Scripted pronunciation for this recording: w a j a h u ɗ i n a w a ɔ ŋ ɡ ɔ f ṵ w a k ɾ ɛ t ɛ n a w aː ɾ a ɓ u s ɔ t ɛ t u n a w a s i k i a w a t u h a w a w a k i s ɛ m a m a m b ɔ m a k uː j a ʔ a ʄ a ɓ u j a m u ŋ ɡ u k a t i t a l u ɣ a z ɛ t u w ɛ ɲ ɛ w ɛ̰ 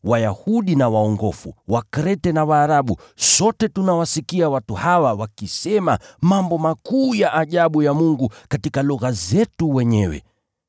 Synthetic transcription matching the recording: w a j a h u ɗ i n a w a ɔ ŋ ɡ ɔ f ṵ w a k ɾ ɛ t ɛ n a w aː ɾ a ɓ u s ɔ t ɛ t u n a w a s i k i a w a t u h a w a w a k i s ɛ m a m a m b ɔ m a k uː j a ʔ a ʄ a ɓ u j a m u ŋ ɡ u k a t i k a l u ɣ a z ɛ t u w ɛ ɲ ɛ w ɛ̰